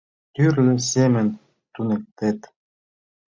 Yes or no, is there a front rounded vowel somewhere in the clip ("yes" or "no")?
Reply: yes